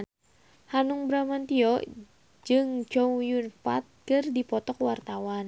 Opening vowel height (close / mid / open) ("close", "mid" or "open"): open